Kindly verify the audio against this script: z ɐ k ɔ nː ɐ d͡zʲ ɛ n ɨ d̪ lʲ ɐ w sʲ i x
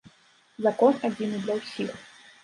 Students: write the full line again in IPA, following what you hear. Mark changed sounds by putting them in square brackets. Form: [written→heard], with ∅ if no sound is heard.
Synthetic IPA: z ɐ k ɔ [nː→n] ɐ d͡zʲ [ɛ→i] n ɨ d̪ lʲ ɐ w sʲ i x